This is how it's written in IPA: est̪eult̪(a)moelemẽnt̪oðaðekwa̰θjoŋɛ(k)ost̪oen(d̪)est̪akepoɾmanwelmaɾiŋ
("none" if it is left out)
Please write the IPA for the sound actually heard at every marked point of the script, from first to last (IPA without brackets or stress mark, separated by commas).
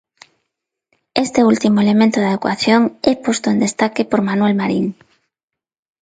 i, p, d̪